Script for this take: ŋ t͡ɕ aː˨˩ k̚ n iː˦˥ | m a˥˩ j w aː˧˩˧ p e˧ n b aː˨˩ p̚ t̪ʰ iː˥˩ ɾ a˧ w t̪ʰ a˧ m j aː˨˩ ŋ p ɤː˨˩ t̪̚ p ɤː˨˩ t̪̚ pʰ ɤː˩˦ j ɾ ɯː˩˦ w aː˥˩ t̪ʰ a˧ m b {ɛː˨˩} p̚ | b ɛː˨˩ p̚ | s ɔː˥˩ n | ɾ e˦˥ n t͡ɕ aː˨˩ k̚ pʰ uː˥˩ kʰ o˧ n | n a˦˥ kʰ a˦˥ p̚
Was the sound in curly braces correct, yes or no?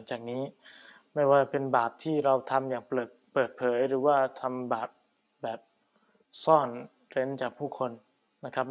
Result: no